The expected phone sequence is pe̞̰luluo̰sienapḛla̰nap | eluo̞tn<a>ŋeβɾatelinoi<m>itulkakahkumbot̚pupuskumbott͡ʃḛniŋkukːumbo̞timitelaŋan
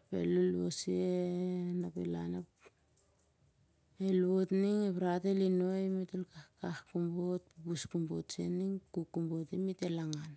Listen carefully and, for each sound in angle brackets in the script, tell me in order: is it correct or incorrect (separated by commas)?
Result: incorrect, correct